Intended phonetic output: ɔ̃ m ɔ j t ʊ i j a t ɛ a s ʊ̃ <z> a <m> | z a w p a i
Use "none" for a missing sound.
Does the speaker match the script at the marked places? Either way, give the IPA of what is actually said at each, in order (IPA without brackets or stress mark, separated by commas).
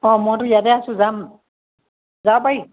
z, m